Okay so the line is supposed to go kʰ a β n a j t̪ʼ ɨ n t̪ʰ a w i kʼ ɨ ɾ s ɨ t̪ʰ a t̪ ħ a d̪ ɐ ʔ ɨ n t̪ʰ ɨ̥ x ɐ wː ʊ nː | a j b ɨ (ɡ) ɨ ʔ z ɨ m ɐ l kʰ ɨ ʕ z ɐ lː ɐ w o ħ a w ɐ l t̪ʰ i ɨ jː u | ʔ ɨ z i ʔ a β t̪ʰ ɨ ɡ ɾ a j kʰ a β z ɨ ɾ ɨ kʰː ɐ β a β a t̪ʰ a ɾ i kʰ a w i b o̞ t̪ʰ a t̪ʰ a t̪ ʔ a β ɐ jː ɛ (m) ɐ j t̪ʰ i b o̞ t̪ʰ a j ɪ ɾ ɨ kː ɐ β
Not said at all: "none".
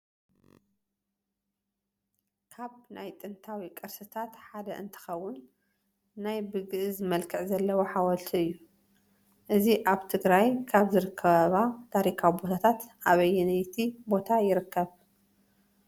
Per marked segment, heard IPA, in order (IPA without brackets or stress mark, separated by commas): ɡ, n